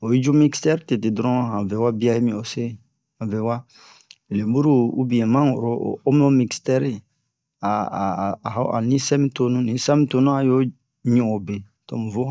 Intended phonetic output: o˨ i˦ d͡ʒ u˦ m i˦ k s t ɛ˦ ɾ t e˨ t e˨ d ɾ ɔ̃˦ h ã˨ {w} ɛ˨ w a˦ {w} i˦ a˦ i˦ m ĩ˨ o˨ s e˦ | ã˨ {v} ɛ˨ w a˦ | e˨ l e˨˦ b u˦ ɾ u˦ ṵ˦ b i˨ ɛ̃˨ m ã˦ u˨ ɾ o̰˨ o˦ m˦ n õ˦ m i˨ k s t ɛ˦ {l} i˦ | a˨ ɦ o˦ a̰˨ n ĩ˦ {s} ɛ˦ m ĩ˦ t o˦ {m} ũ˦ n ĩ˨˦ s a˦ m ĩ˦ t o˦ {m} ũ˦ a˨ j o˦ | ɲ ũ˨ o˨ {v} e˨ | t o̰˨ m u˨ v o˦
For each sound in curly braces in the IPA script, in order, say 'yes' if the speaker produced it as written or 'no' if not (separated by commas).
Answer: no, no, yes, no, yes, no, no, no